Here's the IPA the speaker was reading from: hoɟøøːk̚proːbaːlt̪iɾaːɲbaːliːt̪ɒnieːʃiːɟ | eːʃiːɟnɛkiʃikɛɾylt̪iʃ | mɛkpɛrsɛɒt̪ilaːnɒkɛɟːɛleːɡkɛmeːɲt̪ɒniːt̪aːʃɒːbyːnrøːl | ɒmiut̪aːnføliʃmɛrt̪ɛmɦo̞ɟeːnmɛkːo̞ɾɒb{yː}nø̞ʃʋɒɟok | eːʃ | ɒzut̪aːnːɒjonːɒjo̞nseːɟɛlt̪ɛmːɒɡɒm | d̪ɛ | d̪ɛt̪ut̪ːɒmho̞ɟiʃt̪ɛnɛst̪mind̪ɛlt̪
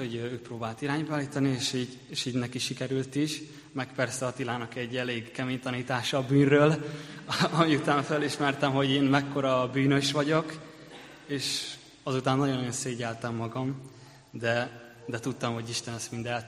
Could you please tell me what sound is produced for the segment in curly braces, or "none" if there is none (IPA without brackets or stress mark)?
yː